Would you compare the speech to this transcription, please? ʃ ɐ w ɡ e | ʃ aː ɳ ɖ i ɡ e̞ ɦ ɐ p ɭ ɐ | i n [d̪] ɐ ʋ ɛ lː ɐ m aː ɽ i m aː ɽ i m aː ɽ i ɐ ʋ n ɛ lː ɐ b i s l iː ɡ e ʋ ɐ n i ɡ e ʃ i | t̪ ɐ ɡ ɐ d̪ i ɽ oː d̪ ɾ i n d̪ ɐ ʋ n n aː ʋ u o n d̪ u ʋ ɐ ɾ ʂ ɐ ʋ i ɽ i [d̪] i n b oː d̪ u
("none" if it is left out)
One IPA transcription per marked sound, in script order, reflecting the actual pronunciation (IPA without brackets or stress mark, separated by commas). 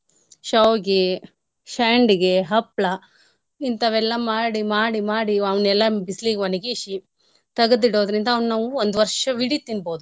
t̪, t̪